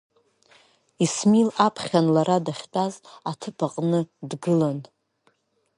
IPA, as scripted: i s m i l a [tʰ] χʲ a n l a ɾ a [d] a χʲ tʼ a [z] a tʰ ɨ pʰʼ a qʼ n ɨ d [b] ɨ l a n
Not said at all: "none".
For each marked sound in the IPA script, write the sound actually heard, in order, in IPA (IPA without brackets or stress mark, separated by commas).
pʰ, d, z, ɡ